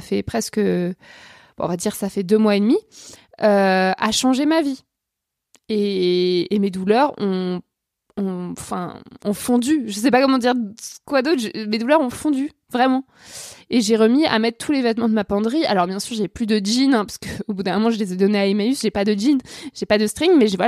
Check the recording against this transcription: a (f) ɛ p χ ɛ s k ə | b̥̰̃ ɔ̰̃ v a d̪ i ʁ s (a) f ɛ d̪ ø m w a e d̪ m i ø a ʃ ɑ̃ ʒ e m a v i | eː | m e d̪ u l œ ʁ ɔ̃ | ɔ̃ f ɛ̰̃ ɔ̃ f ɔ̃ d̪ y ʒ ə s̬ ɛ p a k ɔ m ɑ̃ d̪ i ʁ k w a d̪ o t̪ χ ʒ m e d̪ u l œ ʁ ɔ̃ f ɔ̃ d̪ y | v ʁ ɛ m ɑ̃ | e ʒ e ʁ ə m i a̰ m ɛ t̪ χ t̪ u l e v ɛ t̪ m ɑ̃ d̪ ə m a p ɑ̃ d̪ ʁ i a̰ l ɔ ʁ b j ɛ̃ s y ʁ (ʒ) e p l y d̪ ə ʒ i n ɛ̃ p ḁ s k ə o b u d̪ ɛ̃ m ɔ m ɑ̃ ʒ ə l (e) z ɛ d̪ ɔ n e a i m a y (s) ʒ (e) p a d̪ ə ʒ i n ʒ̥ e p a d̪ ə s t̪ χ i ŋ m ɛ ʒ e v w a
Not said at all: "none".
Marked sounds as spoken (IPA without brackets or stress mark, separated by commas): f, a, ʒ, e, s, e